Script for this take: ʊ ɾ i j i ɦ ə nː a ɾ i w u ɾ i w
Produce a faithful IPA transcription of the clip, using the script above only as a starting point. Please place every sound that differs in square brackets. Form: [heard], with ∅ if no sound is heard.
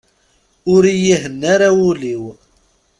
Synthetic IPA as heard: ʊ ɾ i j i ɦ ə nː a ɾ [a] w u [l] i w